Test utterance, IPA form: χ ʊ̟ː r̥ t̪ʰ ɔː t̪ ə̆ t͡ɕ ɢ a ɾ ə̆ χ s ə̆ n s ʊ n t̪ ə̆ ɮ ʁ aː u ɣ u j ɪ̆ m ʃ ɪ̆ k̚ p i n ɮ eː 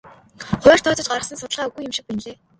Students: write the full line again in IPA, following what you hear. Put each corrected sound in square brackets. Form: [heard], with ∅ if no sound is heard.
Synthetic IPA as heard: χ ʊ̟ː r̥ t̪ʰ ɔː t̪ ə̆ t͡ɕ ɢ a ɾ ə̆ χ s ə̆ n s ʊ [∅] t̪ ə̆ ɮ ʁ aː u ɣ u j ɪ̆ m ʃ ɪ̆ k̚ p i n ɮ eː